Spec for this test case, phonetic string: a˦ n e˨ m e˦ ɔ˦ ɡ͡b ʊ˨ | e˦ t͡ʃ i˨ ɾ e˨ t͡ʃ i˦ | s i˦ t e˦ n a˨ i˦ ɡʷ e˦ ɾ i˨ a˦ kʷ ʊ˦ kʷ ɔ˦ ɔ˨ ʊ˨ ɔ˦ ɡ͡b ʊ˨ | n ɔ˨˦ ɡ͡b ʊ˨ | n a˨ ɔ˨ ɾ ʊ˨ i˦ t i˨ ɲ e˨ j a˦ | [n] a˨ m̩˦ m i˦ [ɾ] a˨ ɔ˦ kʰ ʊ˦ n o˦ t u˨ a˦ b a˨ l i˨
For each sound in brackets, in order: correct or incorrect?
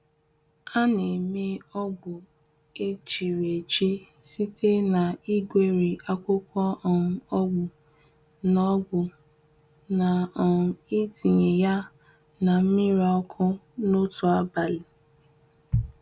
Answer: correct, correct

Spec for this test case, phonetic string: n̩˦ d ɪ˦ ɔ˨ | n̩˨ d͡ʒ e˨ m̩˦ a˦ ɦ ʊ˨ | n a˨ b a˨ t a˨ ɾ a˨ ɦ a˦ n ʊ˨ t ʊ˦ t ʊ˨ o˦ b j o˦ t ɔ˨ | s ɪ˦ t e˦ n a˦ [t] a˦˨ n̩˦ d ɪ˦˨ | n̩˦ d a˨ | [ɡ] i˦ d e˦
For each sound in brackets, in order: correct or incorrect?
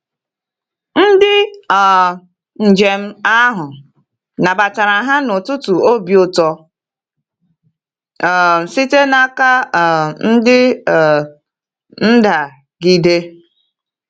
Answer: incorrect: k, correct

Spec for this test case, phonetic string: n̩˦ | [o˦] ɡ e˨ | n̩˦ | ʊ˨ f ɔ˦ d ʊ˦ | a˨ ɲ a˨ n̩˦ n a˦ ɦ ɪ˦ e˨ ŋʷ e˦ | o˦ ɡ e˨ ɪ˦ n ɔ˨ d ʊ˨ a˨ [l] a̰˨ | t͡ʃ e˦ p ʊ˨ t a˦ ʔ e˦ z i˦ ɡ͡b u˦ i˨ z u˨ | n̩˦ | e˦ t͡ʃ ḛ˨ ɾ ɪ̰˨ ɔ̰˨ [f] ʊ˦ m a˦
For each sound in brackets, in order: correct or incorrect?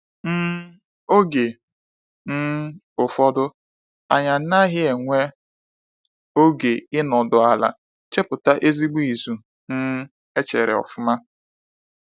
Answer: correct, correct, correct

